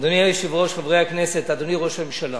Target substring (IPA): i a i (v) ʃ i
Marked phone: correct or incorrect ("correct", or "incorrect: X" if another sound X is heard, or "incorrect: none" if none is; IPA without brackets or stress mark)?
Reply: incorrect: none